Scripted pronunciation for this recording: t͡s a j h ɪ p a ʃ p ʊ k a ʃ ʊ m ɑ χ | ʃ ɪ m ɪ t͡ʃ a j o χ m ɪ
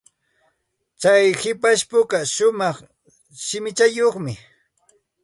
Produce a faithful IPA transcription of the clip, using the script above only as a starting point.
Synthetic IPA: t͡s a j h ɪ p a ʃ p ʊ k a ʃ ʊ m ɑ χ | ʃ ɪ m ɪ t͡ʃ a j o χ m ɪ